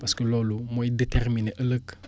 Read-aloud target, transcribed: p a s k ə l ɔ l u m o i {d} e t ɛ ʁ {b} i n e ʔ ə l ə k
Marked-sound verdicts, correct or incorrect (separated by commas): correct, incorrect